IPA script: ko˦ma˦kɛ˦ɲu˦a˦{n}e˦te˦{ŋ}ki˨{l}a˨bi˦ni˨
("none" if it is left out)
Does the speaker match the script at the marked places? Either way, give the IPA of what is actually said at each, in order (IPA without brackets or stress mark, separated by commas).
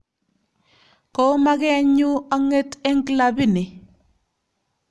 ŋ, ŋ, l